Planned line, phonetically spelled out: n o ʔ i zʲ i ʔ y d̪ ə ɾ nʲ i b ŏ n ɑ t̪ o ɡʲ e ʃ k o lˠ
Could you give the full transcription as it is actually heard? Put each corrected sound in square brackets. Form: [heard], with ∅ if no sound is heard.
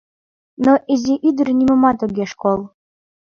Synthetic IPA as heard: n o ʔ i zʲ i ʔ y d̪ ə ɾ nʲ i [m] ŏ [m] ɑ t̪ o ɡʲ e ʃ k o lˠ